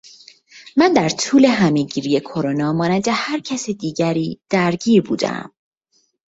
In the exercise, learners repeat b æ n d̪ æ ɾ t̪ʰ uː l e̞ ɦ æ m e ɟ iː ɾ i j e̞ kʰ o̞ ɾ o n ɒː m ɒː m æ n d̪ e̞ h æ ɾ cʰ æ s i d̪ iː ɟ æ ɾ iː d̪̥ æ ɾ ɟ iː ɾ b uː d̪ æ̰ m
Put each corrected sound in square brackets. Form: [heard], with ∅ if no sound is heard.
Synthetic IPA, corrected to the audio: [m] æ n d̪ æ ɾ t̪ʰ uː l e̞ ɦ æ m e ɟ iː ɾ i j e̞ kʰ o̞ ɾ o n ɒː m ɒː [n] æ n d̪ e̞ h æ ɾ cʰ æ s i d̪ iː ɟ æ ɾ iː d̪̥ æ ɾ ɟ iː ɾ b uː d̪ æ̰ m